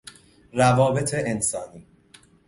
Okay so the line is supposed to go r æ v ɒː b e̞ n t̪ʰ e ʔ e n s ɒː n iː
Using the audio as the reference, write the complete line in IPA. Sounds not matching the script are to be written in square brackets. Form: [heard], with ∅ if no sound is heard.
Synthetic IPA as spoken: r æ v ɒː b e̞ [∅] t̪ʰ e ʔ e n s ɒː n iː